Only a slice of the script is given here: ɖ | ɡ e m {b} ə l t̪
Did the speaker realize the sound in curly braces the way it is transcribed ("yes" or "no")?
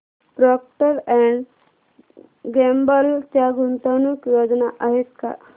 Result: yes